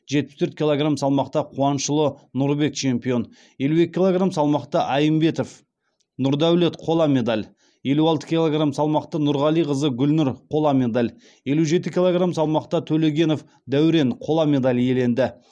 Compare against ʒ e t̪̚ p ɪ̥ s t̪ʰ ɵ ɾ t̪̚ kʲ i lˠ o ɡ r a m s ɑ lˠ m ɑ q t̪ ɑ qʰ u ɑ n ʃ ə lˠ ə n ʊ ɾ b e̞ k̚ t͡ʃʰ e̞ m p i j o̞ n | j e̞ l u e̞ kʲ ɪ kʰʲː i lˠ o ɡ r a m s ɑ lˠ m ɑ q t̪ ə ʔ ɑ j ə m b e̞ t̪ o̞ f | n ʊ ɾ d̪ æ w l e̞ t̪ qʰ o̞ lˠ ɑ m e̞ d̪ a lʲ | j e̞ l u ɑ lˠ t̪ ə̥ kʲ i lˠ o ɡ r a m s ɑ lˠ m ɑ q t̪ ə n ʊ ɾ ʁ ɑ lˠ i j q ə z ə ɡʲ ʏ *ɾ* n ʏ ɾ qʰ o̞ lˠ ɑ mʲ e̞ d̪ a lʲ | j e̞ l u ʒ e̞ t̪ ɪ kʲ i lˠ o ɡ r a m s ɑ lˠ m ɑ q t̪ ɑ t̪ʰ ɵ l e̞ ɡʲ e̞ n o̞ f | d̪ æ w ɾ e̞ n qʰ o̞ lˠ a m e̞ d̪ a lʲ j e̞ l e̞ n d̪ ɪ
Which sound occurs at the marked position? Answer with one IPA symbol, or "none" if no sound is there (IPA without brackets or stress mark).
l